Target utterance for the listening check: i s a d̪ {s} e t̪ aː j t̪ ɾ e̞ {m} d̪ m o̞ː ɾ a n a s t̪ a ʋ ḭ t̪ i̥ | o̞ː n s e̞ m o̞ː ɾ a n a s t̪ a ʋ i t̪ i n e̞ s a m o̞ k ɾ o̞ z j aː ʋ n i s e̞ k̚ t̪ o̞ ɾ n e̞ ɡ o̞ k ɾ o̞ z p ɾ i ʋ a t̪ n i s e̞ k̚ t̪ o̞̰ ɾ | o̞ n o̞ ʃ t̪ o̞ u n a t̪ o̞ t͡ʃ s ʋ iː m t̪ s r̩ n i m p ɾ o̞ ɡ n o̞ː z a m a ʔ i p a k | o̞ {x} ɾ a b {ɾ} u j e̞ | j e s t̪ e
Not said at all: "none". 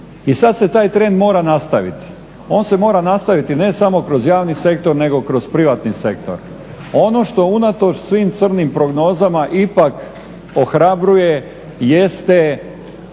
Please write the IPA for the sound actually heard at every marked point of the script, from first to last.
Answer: s, n, x, ɾ

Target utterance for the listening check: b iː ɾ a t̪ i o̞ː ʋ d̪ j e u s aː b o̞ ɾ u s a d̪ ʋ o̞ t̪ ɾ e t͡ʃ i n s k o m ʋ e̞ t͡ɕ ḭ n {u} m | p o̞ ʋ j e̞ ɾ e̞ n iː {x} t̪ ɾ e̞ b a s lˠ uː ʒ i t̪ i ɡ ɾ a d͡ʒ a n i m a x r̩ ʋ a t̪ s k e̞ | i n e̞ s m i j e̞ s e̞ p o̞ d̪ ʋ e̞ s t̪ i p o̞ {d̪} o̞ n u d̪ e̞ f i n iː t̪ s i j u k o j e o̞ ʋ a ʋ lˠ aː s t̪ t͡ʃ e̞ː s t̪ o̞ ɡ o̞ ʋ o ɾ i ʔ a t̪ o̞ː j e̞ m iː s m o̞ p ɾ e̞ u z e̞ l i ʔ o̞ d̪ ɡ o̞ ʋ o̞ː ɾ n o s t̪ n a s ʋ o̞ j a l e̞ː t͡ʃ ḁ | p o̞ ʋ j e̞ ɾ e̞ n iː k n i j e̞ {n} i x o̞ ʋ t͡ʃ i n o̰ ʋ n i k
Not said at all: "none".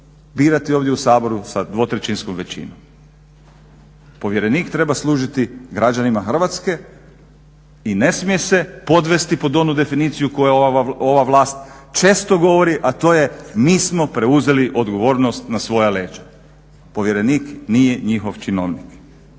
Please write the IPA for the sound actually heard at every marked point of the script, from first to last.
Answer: o, k, d̪, ɲ

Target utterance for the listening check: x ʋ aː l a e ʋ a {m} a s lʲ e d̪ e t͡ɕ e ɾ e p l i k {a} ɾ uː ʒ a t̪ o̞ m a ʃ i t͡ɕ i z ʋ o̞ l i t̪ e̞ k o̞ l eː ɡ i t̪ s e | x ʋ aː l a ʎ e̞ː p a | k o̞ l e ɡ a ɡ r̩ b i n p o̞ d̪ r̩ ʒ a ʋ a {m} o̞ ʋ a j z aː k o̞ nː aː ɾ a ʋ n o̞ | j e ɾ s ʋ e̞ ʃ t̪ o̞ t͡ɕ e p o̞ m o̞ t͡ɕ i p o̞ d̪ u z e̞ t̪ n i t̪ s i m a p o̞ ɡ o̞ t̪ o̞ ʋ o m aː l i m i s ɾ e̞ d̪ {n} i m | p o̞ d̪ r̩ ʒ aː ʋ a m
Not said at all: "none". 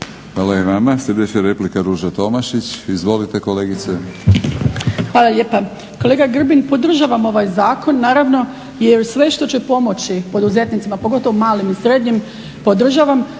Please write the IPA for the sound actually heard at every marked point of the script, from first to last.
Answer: m, a, m, ɲ

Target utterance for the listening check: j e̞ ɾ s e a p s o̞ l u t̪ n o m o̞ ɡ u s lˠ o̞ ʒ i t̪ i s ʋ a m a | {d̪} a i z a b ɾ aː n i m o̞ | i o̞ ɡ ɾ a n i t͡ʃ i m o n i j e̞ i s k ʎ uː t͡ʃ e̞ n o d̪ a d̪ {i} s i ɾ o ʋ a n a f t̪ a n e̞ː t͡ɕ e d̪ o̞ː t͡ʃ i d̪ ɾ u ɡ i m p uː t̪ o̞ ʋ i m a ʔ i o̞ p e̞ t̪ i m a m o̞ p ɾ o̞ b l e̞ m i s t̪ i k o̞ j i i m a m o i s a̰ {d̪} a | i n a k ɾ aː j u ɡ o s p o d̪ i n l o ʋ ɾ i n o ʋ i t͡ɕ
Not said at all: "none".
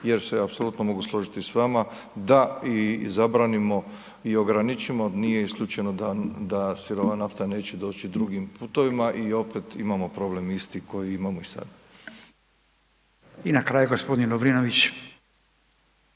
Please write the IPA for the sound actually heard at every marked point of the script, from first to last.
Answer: d̪, a, d̪

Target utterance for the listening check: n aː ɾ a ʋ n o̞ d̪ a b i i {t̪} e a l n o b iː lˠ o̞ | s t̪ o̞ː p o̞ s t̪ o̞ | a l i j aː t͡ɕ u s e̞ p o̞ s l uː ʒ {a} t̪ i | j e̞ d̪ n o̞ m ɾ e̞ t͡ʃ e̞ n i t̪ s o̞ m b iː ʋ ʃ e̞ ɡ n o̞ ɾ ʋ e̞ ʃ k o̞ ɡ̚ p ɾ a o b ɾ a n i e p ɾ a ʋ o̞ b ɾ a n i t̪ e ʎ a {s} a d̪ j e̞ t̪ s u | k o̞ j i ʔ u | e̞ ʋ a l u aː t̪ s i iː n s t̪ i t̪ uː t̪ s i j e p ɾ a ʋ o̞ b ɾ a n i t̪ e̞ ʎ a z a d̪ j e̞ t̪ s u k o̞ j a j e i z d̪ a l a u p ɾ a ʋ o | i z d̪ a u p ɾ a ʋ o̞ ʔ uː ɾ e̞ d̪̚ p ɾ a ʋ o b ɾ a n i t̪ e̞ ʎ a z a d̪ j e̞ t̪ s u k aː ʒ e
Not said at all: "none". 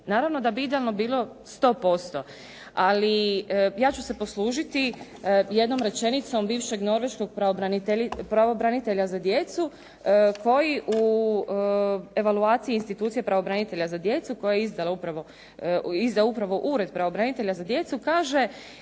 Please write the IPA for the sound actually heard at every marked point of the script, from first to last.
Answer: d̪, i, z

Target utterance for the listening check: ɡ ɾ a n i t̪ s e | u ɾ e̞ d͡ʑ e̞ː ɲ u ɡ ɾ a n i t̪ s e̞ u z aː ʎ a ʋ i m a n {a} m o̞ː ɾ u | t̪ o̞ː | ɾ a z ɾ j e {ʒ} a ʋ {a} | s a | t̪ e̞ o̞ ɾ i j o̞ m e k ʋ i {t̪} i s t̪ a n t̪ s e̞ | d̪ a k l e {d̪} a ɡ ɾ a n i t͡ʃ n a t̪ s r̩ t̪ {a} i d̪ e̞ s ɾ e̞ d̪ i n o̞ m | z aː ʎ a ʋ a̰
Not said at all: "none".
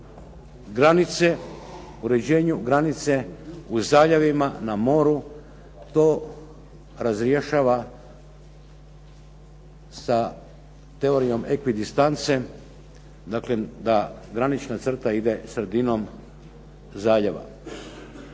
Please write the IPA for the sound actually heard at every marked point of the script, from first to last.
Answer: a, ʃ, a, d̪, d̪, a

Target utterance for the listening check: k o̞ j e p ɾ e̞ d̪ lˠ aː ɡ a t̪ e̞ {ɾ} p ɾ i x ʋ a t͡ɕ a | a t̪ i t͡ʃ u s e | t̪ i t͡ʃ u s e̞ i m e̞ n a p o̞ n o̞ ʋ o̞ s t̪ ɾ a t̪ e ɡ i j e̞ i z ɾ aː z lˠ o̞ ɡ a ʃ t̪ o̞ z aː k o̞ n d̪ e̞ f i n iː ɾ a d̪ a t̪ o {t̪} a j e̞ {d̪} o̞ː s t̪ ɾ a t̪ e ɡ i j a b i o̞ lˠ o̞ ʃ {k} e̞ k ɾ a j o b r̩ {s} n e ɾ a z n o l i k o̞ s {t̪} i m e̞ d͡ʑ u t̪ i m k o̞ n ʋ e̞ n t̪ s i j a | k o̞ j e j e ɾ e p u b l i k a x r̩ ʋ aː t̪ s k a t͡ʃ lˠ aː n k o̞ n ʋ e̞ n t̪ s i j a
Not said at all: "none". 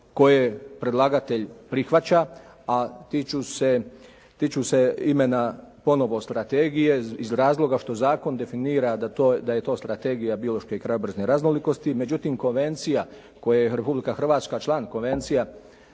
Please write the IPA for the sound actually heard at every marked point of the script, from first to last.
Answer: ʎ, d̪, t̪, k, z, t̪

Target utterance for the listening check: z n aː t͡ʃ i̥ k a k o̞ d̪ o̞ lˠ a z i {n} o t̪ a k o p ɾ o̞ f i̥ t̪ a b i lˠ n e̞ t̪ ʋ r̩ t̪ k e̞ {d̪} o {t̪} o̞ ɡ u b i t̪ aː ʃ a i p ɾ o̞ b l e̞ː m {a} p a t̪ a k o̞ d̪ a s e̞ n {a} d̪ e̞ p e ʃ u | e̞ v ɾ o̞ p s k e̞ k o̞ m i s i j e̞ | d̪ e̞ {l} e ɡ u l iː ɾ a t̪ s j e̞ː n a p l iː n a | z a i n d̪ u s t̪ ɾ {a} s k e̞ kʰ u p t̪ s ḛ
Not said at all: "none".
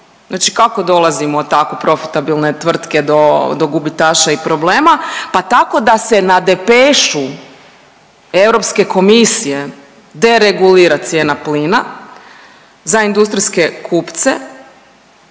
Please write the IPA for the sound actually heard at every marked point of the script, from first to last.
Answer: m, d̪, d̪, a, a, ɾ, i

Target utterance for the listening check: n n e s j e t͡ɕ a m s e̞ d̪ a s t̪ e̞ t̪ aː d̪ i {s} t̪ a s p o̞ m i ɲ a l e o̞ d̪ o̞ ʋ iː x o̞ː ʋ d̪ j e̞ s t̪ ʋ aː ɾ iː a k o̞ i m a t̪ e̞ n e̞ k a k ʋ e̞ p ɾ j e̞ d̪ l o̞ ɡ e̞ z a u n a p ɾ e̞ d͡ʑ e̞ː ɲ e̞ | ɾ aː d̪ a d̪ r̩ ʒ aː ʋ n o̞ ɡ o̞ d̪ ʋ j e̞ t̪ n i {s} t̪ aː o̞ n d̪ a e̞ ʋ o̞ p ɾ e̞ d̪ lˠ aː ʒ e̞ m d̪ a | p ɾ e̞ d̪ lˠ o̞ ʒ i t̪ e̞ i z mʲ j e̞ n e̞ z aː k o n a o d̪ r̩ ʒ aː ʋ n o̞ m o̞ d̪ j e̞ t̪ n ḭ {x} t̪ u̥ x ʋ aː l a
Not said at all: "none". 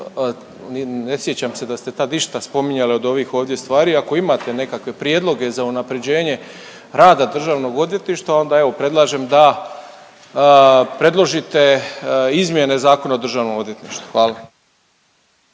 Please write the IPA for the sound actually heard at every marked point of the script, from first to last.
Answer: ʃ, ʃ, ʃ

